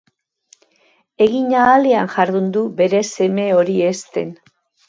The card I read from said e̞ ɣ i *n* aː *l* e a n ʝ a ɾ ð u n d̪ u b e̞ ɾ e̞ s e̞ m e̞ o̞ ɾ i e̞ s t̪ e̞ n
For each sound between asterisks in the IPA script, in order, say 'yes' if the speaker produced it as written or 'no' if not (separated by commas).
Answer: no, yes